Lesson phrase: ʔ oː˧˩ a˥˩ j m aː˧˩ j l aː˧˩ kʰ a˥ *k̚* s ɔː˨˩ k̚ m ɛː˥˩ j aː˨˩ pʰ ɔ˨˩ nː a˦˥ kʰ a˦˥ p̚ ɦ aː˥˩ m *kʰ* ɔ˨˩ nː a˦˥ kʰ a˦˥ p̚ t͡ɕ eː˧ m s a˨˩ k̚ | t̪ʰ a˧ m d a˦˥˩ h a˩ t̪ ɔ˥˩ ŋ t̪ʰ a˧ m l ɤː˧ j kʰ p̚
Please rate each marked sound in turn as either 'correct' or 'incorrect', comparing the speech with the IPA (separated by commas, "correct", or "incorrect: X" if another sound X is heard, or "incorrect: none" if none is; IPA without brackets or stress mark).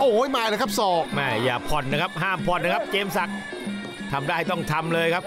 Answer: incorrect: p̚, incorrect: pʰ